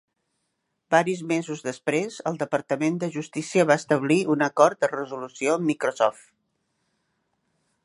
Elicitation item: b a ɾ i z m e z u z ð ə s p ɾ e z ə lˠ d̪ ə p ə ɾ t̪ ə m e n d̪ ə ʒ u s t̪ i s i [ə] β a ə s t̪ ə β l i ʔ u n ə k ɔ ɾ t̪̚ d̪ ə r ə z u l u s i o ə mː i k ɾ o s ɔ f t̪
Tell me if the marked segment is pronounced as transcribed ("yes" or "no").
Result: yes